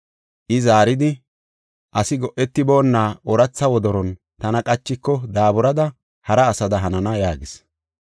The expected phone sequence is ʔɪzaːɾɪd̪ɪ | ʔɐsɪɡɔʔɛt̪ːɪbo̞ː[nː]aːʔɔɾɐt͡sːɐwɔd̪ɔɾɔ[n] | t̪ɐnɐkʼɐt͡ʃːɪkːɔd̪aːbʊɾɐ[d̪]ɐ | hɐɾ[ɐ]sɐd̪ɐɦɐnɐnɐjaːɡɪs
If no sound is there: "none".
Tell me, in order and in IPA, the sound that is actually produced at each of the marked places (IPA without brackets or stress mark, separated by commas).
nː, n, d̪, ɐː